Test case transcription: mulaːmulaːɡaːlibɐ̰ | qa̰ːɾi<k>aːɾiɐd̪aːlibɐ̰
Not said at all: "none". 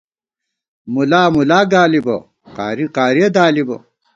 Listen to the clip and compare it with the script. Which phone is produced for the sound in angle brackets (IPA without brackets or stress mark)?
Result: q